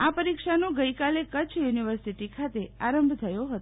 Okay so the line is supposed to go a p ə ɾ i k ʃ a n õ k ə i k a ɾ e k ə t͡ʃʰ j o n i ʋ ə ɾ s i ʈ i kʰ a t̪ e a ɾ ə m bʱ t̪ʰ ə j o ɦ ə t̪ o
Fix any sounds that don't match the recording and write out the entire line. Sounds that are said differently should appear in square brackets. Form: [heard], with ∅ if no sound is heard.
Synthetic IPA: a p ə ɾ i k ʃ a n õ [ɡ] ə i k a [l] e k ə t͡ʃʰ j [u] n i ʋ ə ɾ s i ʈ i kʰ a t̪ e a ɾ ə m bʱ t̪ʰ ə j o ɦ ə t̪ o